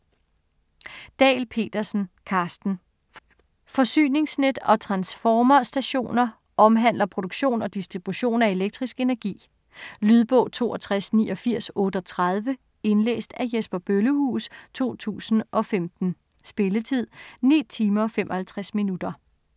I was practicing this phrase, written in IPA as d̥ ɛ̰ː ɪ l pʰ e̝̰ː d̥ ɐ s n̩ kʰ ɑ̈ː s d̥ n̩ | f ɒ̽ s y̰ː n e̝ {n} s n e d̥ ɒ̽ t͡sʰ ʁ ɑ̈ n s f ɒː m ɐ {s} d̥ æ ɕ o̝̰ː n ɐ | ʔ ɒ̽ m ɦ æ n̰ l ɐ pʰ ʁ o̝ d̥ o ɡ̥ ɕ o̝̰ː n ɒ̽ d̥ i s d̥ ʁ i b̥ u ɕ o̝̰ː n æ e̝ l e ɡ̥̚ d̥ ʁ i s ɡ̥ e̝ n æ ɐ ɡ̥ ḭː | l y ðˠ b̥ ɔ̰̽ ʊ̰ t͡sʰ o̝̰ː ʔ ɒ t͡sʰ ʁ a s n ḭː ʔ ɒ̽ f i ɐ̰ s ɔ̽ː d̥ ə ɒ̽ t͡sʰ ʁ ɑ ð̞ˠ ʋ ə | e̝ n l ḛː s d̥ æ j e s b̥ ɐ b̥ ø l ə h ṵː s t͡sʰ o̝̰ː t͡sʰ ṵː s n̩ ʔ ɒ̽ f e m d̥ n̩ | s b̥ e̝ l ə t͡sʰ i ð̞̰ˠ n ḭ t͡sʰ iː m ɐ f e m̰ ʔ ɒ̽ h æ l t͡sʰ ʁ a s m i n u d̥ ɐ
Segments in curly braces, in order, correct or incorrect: incorrect: ŋ, correct

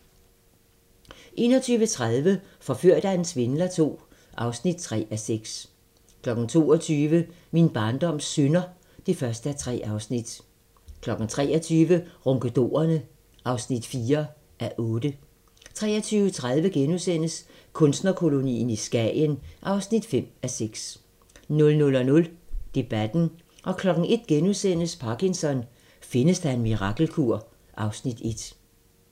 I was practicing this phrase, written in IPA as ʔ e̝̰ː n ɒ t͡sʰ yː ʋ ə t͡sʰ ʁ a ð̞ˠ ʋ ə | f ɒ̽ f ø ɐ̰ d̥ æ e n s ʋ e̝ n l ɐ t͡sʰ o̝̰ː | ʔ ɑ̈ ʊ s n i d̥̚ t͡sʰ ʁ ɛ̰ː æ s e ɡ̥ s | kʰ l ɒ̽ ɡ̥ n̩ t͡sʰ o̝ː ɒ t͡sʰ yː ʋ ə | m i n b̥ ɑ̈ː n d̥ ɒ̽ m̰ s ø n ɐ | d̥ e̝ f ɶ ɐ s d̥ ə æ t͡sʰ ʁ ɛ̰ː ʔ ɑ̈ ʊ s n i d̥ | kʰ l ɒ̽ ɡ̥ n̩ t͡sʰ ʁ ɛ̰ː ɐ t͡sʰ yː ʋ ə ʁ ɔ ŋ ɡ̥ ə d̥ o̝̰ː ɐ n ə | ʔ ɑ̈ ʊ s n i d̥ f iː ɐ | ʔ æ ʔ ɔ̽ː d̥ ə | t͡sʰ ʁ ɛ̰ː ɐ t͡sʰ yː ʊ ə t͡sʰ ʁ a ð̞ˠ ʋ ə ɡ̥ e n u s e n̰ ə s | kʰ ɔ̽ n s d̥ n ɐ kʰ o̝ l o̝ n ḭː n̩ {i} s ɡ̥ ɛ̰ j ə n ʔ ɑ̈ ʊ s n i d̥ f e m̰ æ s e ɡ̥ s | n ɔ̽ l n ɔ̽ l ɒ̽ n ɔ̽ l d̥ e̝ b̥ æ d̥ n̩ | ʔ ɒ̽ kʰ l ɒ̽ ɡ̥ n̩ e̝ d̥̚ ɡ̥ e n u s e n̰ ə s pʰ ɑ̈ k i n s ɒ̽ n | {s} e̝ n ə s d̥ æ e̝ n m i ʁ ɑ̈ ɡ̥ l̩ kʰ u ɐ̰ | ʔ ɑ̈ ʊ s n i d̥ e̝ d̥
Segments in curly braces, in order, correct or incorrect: correct, incorrect: f

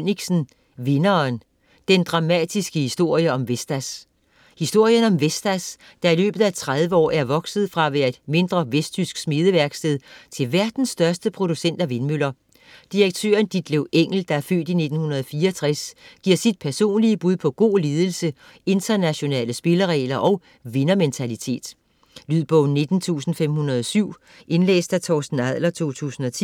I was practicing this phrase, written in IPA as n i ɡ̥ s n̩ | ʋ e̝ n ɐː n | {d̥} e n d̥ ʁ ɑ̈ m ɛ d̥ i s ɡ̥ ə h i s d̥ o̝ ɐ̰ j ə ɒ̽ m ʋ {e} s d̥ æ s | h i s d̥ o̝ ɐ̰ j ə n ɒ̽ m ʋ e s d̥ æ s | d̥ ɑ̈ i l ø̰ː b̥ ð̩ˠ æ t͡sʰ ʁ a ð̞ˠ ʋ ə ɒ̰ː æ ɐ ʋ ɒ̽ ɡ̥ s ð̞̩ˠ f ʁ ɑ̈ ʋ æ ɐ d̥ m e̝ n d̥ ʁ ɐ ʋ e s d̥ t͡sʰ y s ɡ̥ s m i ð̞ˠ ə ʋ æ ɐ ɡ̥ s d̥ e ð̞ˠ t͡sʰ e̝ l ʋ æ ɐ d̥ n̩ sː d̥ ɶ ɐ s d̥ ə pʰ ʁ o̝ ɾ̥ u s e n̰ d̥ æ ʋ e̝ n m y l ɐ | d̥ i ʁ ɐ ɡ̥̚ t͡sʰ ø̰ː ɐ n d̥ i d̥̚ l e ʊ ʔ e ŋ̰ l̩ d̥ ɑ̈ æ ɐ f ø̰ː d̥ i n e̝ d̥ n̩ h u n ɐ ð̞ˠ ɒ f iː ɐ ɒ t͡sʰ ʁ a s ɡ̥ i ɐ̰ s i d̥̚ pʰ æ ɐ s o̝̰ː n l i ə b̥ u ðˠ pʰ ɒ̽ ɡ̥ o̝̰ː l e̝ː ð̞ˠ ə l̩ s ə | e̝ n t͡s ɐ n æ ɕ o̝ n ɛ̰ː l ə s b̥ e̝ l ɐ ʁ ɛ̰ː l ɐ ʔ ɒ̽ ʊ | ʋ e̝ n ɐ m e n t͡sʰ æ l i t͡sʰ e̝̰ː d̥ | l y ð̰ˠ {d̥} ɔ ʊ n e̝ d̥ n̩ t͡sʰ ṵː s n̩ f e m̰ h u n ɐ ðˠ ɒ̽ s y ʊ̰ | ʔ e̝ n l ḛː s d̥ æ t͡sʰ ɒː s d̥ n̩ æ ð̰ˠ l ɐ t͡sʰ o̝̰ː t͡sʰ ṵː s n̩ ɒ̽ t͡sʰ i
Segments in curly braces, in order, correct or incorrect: correct, correct, incorrect: b̥

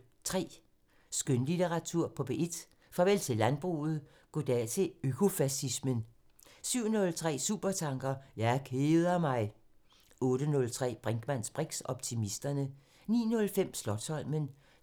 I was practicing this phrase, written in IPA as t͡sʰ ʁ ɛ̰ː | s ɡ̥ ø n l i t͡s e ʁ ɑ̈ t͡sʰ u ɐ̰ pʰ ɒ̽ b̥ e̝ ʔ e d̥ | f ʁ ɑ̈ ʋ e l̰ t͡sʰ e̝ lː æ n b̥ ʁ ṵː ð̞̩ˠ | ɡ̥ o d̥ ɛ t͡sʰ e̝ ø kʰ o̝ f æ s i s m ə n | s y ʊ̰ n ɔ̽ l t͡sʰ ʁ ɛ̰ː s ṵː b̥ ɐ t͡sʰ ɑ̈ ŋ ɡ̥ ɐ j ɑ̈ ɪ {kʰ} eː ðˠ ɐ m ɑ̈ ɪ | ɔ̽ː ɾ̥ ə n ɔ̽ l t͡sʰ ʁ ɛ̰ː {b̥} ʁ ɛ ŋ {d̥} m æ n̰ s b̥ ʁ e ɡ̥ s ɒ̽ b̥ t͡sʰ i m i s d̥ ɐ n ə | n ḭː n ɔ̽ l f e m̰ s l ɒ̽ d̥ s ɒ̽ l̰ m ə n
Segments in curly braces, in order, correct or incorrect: correct, correct, incorrect: ɡ̥

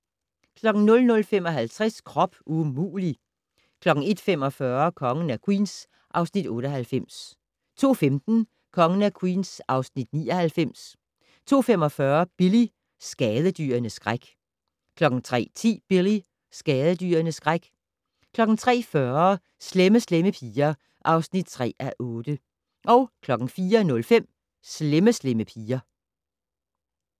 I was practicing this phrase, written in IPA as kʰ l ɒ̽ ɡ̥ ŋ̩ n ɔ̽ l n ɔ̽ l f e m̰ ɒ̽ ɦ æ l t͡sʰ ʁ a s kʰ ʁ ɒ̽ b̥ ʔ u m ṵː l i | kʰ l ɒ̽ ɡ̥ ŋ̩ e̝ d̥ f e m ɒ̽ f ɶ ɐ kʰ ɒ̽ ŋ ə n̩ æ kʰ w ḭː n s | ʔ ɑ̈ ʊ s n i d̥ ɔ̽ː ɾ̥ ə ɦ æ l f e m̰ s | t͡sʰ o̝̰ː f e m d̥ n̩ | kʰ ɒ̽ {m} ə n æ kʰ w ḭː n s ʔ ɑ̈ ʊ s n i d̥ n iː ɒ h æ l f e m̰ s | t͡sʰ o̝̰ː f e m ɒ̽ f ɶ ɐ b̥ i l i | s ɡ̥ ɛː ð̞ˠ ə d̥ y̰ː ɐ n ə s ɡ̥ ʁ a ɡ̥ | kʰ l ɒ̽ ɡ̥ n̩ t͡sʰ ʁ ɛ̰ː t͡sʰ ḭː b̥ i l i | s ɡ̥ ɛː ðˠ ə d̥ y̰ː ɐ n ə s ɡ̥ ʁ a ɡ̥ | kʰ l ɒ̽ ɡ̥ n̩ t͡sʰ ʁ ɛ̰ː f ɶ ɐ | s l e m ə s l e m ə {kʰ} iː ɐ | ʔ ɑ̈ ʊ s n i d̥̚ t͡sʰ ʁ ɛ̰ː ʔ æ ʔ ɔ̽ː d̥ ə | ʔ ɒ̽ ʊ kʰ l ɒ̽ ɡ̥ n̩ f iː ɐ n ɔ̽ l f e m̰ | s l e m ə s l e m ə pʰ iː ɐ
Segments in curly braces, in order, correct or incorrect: incorrect: ŋ, incorrect: pʰ

